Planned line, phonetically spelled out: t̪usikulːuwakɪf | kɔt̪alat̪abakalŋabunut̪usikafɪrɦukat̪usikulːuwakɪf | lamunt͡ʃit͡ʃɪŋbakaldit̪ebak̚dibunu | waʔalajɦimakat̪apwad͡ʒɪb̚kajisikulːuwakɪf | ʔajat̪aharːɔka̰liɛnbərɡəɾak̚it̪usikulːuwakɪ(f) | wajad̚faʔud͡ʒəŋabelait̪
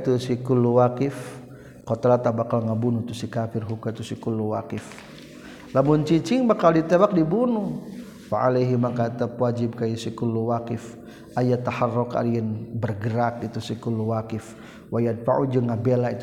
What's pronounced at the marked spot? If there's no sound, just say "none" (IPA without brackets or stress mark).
f